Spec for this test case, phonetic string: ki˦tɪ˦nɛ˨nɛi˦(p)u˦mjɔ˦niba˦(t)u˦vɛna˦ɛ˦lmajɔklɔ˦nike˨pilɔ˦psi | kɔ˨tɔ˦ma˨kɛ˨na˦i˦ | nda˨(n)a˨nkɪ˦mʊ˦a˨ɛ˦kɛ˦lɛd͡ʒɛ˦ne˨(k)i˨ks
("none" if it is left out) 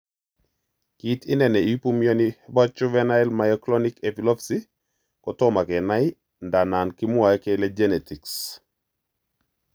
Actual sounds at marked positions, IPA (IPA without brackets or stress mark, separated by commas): p, t͡ʃ, n, t